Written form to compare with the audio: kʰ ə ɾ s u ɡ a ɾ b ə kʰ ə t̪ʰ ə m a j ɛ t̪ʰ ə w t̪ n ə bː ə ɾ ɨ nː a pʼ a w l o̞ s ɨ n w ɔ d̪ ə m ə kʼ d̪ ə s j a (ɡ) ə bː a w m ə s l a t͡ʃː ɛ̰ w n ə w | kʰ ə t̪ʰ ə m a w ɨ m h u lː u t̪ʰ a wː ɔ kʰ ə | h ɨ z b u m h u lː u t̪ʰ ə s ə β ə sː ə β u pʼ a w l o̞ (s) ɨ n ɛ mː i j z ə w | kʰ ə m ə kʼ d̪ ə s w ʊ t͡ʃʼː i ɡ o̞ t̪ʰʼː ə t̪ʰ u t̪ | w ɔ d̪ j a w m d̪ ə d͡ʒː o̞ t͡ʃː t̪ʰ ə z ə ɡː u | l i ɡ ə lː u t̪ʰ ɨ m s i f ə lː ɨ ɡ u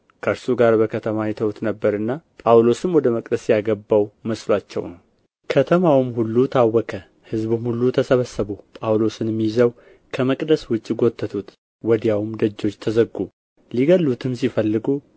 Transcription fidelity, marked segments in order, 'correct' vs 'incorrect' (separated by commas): correct, correct